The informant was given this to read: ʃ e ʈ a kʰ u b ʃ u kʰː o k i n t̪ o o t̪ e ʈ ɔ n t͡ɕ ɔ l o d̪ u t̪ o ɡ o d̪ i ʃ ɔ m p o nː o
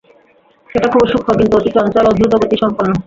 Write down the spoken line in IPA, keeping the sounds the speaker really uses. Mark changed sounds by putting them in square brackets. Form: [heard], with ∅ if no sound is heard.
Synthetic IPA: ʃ e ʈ a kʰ u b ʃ u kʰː o k i n t̪ [u] o t̪ [i] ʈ ɔ n t͡ɕ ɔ l o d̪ u t̪ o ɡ o [t̪] i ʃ ɔ m p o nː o